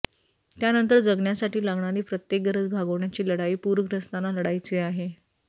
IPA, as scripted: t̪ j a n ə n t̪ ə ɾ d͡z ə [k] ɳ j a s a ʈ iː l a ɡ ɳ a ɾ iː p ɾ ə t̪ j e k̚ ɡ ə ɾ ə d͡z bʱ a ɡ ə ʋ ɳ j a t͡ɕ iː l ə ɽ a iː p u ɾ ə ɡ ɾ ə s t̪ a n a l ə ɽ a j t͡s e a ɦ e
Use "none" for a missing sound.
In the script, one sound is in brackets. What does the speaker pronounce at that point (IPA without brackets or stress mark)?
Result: ɡ